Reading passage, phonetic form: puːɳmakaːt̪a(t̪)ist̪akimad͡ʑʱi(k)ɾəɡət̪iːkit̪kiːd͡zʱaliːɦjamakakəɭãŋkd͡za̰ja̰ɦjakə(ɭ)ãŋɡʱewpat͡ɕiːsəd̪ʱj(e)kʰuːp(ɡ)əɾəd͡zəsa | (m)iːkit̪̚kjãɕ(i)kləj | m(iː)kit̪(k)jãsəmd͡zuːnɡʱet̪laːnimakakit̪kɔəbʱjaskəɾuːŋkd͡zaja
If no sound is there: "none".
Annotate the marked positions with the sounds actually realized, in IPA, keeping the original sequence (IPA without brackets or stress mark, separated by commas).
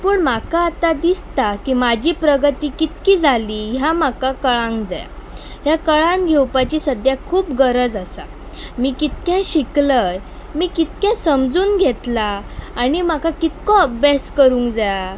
d̪, p, ɭ, a, ɡ, m, i, iː, k